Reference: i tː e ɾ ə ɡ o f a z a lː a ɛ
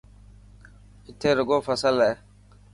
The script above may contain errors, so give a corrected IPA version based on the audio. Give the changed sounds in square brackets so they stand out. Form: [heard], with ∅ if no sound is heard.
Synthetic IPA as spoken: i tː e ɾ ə ɡ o f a [s] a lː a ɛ